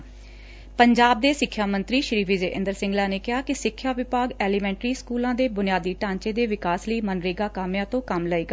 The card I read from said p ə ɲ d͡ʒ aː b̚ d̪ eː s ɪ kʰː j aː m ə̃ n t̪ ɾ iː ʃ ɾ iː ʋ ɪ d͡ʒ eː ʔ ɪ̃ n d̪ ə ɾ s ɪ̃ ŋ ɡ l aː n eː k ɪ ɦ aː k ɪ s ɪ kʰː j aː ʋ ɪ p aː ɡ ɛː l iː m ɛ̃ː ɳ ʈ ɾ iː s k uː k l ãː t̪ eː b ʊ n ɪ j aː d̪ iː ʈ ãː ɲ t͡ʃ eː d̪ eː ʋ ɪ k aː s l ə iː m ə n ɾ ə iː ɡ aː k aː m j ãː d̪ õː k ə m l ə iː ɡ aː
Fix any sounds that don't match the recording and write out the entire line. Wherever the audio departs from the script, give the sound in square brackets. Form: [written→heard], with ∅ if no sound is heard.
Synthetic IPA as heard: p ə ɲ d͡ʒ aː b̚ d̪ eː s ɪ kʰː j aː m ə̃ n t̪ ɾ iː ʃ ɾ iː ʋ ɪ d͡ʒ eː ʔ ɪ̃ n d̪ ə ɾ s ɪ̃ ŋ ɡ l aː n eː k ɪ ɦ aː k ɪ s ɪ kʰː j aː ʋ ɪ p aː ɡ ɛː l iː m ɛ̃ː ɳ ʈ ɾ iː s k uː [k→∅] l ãː [t̪→d̪] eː b ʊ n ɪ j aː d̪ iː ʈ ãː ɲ t͡ʃ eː d̪ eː ʋ ɪ k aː s l ə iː m ə n ɾ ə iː ɡ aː k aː m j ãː [d̪→t̪] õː k ə m l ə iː ɡ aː